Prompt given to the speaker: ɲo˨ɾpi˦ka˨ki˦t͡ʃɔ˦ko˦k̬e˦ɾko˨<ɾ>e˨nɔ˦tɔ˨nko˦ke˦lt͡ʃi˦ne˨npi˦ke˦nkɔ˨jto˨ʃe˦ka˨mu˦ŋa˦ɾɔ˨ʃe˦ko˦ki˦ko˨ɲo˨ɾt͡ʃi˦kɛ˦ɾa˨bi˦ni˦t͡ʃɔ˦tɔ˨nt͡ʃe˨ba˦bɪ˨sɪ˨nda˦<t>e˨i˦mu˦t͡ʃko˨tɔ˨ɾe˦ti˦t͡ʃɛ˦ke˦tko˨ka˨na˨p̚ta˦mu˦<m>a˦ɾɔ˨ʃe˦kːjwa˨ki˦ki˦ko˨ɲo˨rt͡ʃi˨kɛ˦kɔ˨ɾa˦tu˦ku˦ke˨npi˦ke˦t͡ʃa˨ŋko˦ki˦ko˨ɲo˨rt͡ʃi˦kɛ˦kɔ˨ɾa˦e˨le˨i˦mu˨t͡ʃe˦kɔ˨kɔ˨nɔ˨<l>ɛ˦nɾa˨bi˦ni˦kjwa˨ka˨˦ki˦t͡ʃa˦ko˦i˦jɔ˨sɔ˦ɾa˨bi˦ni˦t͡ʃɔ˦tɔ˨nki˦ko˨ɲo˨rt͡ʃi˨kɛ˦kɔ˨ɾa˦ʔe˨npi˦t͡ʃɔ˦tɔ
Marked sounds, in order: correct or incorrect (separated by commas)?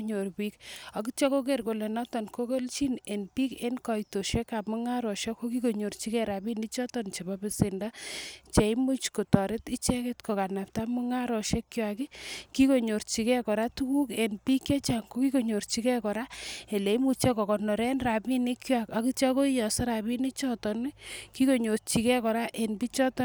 incorrect, incorrect, incorrect, incorrect